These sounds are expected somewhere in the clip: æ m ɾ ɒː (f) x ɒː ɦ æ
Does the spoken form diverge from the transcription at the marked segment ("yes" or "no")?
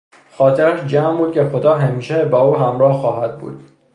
yes